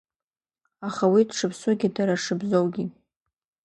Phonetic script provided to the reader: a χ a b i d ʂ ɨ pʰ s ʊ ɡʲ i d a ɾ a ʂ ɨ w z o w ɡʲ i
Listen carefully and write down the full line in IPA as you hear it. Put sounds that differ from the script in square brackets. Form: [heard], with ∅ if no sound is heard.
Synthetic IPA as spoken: a χ a [w] i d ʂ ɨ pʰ s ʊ ɡʲ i d a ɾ a ʂ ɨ [b] z o w ɡʲ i